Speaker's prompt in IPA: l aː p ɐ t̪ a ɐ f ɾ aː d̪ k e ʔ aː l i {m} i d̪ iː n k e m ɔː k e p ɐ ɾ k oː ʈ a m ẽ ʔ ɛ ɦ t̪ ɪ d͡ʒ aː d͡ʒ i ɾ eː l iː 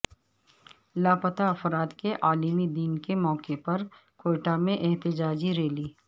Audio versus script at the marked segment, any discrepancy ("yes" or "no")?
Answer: no